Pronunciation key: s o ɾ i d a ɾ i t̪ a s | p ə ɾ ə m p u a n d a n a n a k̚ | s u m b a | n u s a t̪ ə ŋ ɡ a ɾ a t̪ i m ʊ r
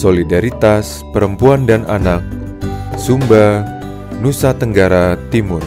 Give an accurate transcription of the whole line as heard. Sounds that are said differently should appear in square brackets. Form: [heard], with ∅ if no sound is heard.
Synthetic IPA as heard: s o [l] i d a ɾ i t̪ a s | p ə ɾ ə m p u a n d a n a n a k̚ | s u m b a | n u s a t̪ ə ŋ ɡ a ɾ a t̪ i m ʊ r